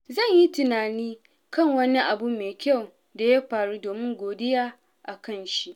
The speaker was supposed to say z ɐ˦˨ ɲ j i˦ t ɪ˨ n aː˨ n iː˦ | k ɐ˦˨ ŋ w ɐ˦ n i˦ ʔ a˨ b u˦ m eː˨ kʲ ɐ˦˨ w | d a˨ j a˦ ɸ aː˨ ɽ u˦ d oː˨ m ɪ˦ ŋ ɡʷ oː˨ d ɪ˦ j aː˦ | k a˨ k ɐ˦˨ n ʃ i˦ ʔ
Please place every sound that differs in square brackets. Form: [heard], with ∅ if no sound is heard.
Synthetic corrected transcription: z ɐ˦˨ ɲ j i˦ t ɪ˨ n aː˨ n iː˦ | k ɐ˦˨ ŋ w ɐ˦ n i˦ ʔ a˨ b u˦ m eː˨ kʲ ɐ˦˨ w | d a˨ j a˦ ɸ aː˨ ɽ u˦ d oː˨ m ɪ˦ ŋ ɡʷ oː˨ d ɪ˦ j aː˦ | [ʔ] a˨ k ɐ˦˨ n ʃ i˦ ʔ